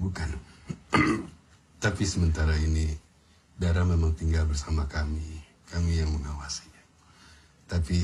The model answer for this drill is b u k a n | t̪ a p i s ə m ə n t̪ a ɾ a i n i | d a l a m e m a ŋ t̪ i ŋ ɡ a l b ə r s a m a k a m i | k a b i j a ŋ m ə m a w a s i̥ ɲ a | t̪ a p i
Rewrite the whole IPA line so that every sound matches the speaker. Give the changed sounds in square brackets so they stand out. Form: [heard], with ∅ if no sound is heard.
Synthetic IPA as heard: b u k a n | t̪ a p i s ə m ə n t̪ a ɾ a i n i | d a [ɾ] a m e m a ŋ t̪ i ŋ ɡ a l b ə r s a m a k a m i | k a [m] i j a ŋ m ə [ŋ] a w a s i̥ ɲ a | t̪ a p i